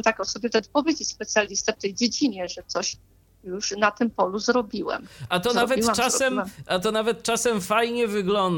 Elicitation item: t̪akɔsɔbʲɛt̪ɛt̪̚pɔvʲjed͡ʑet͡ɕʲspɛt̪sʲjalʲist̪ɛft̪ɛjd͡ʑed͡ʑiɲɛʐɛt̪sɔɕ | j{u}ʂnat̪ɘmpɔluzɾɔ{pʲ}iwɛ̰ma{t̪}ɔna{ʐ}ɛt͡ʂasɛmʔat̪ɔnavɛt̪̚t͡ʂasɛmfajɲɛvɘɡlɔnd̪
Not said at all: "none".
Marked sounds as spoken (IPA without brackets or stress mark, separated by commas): u, bʲ, t̪, v